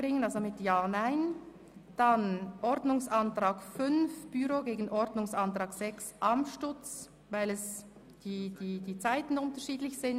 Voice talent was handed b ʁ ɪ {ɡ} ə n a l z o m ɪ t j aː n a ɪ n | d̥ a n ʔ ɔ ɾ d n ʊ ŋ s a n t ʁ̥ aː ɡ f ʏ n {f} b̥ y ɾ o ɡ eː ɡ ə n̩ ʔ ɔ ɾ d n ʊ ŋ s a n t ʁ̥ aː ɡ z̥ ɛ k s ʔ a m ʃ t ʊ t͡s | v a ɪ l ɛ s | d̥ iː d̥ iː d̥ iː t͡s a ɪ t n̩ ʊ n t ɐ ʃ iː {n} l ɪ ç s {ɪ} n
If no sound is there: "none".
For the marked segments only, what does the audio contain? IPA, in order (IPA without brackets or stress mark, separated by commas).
ŋ, f, d, ɪ